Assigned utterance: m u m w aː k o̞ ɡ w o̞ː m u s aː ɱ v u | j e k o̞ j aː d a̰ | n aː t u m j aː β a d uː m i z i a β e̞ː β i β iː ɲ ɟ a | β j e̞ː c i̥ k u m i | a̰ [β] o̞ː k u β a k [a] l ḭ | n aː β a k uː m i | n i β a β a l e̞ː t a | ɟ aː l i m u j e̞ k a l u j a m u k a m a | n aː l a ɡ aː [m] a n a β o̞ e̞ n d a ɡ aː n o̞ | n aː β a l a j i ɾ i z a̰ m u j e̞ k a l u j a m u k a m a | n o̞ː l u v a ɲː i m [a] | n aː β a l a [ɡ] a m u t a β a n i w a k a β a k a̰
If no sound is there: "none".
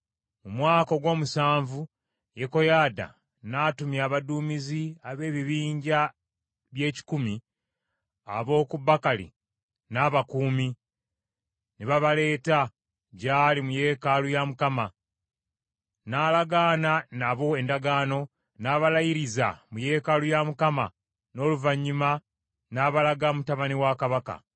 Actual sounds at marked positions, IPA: β, a, n, a, ɡ

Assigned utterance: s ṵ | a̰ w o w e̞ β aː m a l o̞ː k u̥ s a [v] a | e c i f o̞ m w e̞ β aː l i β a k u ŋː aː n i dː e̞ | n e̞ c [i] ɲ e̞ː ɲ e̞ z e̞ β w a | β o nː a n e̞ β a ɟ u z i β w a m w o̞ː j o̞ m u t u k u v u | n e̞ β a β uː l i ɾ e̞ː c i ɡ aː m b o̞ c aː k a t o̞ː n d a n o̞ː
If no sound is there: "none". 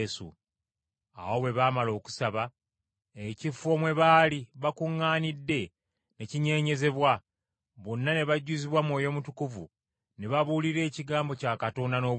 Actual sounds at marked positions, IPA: β, i

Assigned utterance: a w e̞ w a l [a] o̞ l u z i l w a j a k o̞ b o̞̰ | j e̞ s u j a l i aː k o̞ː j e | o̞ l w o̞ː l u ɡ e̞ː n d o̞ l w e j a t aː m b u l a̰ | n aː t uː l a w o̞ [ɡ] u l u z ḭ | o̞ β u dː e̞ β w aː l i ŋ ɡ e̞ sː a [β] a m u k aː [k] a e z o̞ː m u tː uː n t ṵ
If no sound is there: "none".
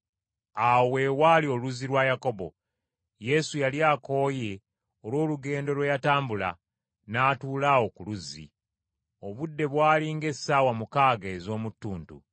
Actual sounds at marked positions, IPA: i, k, w, ɡ

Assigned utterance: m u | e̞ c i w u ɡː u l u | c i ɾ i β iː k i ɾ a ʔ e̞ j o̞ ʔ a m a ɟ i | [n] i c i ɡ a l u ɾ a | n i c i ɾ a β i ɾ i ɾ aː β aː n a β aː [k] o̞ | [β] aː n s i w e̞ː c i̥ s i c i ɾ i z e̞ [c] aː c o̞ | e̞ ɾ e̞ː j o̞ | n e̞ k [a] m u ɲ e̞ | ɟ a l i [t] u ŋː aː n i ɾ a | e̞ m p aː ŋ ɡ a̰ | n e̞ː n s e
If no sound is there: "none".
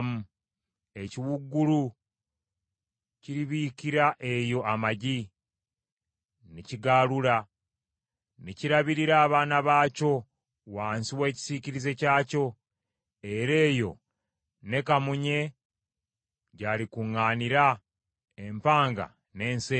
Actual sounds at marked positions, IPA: n, c, w, c, a, k

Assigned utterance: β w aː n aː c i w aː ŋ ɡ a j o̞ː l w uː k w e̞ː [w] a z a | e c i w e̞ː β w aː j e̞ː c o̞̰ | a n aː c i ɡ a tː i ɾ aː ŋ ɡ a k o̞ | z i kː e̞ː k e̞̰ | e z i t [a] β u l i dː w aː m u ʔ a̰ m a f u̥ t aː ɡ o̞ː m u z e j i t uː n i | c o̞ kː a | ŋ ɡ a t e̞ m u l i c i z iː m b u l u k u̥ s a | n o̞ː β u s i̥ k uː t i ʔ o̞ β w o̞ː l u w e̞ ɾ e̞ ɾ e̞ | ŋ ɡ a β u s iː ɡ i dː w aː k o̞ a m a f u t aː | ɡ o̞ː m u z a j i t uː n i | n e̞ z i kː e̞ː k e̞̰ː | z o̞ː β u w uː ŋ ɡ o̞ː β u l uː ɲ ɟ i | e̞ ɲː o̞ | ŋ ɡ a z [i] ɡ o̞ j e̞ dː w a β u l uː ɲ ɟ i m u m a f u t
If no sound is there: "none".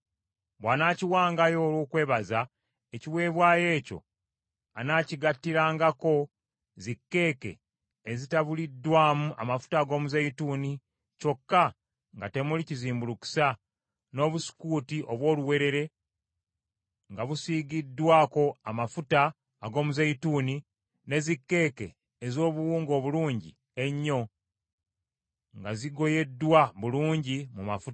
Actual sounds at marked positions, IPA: β, a, i

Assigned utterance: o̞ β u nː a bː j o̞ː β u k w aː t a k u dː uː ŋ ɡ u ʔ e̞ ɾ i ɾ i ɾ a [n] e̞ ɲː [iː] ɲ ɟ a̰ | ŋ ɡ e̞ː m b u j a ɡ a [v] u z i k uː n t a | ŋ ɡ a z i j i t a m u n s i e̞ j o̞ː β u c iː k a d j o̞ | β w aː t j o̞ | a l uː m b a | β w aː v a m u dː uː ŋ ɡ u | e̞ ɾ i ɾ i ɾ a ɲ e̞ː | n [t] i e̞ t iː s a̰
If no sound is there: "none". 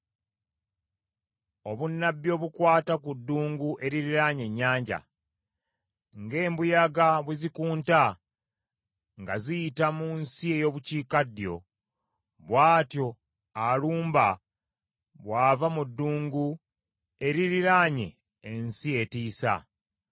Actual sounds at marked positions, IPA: ɲ, aː, β, s

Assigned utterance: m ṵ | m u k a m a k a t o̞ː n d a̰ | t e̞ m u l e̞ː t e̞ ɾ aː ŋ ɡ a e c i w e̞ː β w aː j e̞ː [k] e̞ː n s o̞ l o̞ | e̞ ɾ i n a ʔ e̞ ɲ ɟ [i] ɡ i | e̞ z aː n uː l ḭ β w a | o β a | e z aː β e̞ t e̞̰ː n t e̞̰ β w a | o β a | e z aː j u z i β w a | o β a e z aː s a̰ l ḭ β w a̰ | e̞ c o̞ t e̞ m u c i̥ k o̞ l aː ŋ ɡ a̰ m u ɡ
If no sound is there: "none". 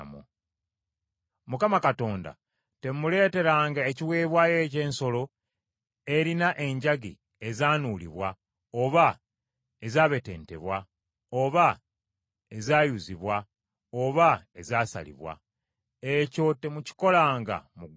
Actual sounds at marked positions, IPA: c, a

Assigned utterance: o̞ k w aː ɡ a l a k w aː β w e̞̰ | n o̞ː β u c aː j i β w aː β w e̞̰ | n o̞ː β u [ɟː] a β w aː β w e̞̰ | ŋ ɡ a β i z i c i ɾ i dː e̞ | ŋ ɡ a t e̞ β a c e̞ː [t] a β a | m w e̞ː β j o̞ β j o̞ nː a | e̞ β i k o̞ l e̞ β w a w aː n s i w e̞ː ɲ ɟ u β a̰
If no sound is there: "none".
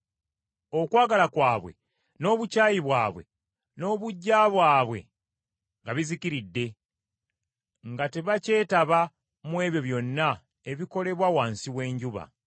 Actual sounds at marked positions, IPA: ɟː, t

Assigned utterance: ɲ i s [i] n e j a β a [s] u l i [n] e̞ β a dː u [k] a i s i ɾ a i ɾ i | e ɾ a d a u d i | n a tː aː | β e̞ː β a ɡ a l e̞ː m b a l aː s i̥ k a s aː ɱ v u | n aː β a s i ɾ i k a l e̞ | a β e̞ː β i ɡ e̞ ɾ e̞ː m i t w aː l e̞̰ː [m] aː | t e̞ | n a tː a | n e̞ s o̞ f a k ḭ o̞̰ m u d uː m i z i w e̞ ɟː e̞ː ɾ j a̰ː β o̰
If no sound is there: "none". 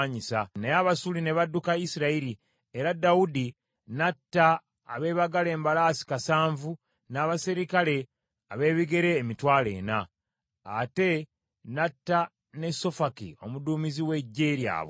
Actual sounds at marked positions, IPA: a, s, n, k, n

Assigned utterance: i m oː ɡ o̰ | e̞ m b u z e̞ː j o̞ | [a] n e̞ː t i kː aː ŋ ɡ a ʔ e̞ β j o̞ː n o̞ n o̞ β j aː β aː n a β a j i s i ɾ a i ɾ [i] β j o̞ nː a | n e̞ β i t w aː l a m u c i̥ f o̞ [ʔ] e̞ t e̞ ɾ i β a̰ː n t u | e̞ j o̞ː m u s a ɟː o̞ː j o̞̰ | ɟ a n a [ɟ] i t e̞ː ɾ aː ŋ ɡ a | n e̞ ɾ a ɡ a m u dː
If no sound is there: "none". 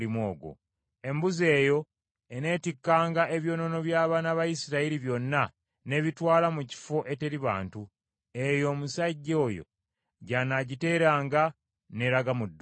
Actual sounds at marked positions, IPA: e, i, ʔ, ɟ

